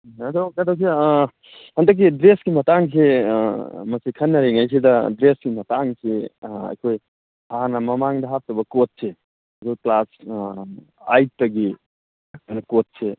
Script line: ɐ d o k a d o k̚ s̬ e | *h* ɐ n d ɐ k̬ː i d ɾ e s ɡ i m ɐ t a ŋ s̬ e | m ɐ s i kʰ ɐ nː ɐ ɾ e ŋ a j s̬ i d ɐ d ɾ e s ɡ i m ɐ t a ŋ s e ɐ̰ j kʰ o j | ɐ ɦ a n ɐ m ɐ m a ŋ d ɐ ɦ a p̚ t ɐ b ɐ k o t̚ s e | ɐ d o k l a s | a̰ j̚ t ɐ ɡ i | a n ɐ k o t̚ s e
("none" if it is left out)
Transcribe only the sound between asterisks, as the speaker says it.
h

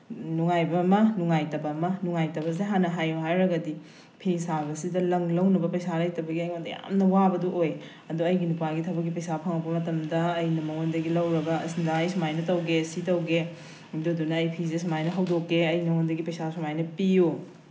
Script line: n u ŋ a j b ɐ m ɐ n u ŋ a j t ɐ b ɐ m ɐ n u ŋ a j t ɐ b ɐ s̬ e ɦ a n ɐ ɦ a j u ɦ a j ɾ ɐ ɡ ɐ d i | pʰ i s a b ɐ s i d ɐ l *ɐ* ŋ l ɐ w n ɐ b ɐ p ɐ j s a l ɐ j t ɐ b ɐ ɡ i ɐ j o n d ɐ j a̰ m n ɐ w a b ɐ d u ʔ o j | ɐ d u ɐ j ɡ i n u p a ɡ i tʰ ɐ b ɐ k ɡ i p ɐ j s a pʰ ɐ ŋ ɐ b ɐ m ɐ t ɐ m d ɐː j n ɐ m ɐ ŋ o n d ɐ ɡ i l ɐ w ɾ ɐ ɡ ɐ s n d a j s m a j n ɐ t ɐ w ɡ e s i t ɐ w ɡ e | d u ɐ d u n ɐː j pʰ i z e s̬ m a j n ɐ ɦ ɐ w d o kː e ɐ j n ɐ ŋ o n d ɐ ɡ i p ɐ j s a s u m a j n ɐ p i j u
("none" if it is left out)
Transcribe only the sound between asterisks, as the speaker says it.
ɐ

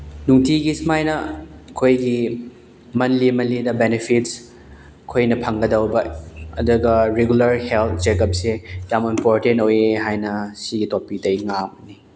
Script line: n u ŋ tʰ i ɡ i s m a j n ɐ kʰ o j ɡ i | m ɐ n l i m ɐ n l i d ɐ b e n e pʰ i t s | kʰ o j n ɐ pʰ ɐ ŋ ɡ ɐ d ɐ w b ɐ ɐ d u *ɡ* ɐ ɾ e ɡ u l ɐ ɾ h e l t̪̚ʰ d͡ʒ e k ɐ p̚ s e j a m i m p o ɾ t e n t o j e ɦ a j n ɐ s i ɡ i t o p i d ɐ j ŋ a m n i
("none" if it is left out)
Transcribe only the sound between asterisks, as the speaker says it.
ɡ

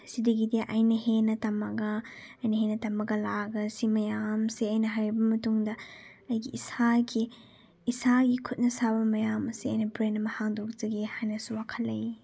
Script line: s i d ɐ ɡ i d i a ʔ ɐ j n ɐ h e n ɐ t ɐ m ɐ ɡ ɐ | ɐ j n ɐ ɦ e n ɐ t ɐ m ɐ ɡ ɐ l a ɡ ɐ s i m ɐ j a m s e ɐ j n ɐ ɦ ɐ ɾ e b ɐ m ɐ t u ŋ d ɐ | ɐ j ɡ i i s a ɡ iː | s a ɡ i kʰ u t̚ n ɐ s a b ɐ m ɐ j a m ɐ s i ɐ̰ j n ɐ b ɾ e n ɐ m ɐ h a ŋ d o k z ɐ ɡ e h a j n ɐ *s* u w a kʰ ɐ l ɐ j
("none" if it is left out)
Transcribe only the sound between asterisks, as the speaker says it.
s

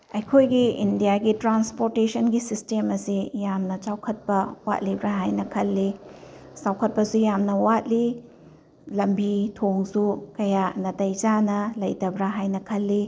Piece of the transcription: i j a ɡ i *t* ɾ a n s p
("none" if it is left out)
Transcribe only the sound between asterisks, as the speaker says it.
t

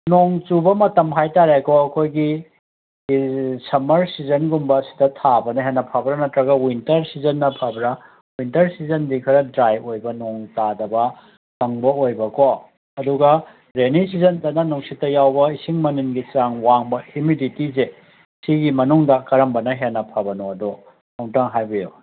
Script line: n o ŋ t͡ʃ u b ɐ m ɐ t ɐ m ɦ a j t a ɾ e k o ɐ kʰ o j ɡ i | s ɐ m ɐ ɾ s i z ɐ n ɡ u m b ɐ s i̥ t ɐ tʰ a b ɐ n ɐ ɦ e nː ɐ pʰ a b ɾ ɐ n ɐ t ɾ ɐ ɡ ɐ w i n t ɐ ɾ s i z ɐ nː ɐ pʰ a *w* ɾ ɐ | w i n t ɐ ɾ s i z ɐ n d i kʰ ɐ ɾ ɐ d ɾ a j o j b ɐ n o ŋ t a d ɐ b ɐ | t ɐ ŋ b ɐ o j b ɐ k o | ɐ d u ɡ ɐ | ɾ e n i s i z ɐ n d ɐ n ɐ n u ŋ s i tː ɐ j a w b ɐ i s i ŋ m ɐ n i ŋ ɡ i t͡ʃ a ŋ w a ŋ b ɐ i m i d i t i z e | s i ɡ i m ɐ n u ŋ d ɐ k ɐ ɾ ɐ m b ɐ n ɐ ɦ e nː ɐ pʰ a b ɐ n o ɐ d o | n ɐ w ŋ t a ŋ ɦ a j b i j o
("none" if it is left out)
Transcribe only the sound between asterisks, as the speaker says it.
b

